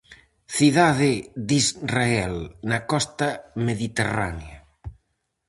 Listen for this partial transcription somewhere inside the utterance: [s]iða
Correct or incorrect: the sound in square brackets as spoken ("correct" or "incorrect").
incorrect